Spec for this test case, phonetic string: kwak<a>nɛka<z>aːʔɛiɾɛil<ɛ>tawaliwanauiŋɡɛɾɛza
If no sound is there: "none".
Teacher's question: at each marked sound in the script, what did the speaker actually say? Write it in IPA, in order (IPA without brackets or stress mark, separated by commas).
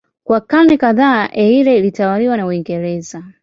a, ð, i